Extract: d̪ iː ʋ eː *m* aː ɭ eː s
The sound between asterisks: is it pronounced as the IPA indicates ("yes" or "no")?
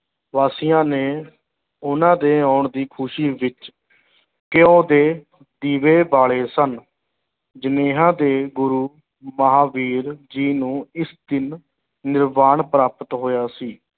no